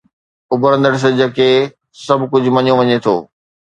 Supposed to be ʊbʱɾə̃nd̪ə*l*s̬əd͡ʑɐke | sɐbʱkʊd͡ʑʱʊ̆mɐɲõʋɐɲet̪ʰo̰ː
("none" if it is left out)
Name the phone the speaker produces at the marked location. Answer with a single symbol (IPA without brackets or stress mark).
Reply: ɽ